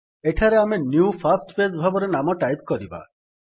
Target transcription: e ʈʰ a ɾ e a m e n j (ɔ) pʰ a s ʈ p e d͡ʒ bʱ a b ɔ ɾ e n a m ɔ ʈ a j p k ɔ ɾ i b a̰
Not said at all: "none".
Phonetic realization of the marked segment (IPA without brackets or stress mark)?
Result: u